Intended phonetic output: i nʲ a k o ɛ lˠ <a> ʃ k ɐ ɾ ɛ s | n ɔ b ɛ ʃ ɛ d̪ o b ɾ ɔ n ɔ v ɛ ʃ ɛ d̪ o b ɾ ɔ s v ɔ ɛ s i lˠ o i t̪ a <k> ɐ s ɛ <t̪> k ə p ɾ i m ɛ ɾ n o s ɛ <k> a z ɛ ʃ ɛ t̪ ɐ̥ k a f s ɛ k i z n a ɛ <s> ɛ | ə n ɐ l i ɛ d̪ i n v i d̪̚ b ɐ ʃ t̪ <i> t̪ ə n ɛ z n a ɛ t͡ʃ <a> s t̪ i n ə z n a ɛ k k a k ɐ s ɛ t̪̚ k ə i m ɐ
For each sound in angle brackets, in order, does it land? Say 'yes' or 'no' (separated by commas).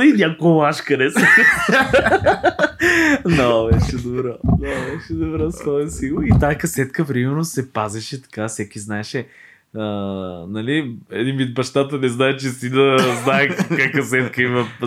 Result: yes, yes, yes, no, no, no, no